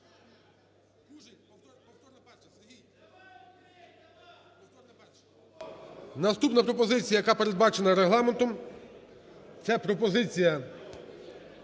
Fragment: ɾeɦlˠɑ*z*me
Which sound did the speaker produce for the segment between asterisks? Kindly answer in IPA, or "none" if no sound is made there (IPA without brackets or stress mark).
none